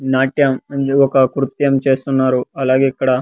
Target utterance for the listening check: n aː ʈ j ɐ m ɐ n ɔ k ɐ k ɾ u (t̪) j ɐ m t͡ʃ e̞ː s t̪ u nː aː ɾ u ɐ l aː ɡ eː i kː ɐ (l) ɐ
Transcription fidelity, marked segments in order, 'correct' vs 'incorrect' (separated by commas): correct, incorrect